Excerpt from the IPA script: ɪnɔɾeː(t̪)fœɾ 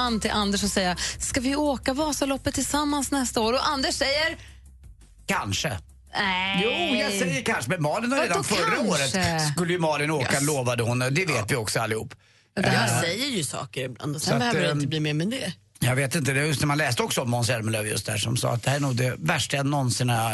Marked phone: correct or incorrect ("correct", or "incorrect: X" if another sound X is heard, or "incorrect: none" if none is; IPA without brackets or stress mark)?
incorrect: d̪